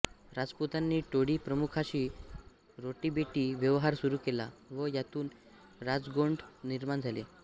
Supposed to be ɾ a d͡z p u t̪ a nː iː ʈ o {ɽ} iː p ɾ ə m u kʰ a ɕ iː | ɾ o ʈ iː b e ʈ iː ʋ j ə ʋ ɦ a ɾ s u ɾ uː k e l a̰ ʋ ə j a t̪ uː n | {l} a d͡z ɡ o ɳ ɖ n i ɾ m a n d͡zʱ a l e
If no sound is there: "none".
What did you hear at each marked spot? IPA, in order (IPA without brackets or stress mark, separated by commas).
ɽ, ɾ